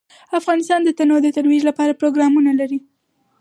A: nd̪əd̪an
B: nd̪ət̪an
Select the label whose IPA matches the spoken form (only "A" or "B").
B